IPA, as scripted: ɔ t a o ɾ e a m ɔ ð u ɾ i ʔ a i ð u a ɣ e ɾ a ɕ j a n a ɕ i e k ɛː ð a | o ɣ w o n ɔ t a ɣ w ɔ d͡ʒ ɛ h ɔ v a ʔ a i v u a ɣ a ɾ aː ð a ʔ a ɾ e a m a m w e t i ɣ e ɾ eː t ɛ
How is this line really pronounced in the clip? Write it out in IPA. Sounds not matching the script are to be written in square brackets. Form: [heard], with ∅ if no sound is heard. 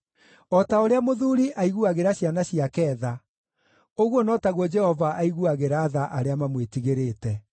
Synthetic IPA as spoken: ɔ t a o ɾ e a m [o] ð u ɾ i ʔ a i [ɣ] u a ɣ e ɾ a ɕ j a n a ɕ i [a] k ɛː ð a | o ɣ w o n ɔ t a ɣ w ɔ d͡ʒ ɛ h ɔ v a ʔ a i [ɣ] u a ɣ [e] ɾ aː ð a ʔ a ɾ e a m a m w e t i ɣ e ɾ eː t ɛ